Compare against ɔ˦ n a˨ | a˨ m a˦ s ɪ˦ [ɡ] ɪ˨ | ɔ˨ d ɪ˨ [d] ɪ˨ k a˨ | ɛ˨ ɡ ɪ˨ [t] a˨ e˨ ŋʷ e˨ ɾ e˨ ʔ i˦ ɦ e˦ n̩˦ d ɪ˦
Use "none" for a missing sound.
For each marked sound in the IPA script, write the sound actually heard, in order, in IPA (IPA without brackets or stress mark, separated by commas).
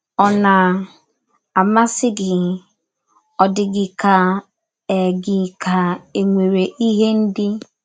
ɡ, ɡ, k